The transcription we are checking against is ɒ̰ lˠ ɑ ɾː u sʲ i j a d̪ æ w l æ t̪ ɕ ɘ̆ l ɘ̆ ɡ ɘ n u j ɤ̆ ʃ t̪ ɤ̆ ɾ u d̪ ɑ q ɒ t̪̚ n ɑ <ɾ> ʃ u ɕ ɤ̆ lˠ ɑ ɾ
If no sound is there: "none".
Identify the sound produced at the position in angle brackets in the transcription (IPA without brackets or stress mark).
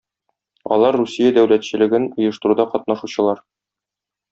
none